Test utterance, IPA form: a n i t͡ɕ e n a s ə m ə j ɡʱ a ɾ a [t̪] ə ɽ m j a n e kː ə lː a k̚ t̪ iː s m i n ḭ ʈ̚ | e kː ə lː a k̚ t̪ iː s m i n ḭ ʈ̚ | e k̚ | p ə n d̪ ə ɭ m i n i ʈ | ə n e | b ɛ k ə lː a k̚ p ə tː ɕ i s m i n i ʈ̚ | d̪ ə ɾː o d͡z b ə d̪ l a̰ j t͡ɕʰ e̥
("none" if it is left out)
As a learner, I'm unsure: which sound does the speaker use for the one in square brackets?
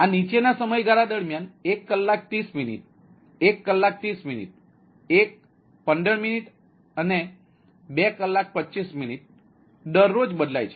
d̪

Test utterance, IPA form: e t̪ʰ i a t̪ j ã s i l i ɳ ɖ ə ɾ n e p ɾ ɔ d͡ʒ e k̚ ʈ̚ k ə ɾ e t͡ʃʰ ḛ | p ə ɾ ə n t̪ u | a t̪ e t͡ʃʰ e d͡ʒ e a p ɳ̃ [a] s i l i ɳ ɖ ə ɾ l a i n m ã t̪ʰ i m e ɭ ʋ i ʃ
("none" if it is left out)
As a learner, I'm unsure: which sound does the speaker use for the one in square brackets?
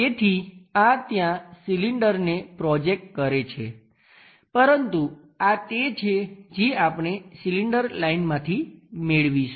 e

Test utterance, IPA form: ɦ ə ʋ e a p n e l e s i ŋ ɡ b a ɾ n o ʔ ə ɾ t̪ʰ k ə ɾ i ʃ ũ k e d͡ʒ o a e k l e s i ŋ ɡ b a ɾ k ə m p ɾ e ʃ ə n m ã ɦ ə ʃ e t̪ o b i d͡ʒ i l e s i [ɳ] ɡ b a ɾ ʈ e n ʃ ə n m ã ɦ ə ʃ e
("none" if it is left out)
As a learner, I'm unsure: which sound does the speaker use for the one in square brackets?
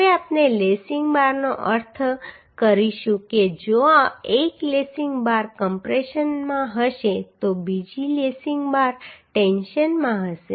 ŋ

